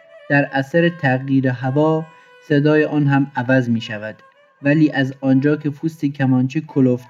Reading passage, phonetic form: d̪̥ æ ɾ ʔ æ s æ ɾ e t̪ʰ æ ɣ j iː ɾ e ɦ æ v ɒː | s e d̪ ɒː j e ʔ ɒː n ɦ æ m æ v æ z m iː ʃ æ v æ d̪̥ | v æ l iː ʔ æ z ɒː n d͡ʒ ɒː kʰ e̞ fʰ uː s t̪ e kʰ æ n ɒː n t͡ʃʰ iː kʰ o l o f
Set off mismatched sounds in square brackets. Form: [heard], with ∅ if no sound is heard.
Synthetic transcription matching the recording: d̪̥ æ ɾ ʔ æ s æ ɾ e t̪ʰ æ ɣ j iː ɾ e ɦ æ v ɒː | s e d̪ ɒː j e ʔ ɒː n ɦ æ m æ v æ z m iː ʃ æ v æ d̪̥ | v æ l iː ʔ æ z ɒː n d͡ʒ ɒː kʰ e̞ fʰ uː s t̪ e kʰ æ [m] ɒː n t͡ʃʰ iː kʰ o l o f